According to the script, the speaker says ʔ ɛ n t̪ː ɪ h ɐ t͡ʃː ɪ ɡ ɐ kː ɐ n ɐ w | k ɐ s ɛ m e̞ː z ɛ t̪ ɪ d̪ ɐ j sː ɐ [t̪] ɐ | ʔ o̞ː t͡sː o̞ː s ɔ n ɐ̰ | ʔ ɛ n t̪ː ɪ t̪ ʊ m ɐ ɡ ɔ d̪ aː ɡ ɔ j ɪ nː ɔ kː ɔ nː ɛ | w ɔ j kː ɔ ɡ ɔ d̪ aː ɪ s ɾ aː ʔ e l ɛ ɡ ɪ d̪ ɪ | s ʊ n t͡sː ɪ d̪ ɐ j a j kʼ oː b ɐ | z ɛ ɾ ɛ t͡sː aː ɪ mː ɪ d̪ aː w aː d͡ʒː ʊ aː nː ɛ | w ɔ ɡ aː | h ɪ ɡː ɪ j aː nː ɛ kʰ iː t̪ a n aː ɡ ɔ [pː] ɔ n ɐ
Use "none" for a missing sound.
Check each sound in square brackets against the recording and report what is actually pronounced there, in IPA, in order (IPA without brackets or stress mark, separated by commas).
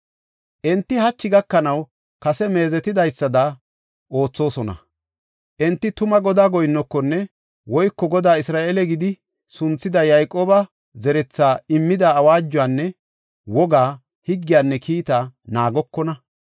d̪, kː